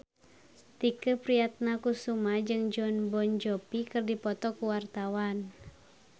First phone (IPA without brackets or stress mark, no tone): t̪